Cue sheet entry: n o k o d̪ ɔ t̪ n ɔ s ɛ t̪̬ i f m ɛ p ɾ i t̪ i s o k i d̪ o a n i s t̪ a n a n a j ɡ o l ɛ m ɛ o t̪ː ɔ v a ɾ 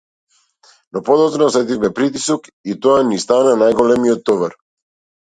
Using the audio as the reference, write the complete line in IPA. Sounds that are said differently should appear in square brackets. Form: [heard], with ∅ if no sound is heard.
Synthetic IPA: n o [p] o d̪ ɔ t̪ n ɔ s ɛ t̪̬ i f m ɛ p ɾ i t̪ i s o k i [t̪] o a n i s t̪ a n a n a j ɡ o l ɛ m [i] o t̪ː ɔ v a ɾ